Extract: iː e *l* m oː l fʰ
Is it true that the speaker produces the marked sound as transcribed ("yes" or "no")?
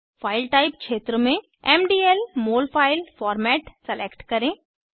yes